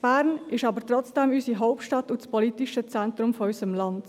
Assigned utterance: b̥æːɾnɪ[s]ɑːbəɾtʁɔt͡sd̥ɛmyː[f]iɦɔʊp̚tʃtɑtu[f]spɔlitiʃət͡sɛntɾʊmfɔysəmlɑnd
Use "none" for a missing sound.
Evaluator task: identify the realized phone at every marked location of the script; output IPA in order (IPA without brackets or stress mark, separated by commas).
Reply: ʃ, s, none